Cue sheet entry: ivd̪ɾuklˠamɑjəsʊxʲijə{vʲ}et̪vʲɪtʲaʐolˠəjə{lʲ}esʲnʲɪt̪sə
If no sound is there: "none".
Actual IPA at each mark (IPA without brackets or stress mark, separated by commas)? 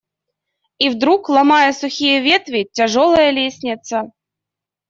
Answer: vʲ, lʲ